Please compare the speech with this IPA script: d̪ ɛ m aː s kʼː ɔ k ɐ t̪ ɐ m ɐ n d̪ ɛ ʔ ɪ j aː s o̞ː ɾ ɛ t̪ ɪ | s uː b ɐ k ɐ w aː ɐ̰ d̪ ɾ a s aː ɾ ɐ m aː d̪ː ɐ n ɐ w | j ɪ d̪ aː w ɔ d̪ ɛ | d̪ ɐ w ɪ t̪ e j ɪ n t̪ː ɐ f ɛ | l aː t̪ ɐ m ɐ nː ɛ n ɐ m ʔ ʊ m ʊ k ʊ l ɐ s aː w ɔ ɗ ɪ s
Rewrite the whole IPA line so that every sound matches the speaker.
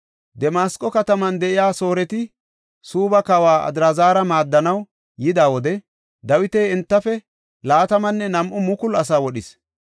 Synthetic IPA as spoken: d̪ ɛ m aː s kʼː ɔ k ɐ t̪ ɐ m ɐ n d̪ ɛ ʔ ɪ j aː s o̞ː ɾ ɛ t̪ ɪ | s uː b ɐ k ɐ w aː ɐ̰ d̪ ɾ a z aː ɾ ɐ m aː d̪ː ɐ n ɐ w | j ɪ d̪ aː w ɔ d̪ ɛ | d̪ ɐ w ɪ t̪ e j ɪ n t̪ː ɐ f ɛ | l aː t̪ ɐ m ɐ nː ɛ n ɐ m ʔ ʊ m ʊ k ʊ l ɐ s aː w ɔ ɗ ɪ s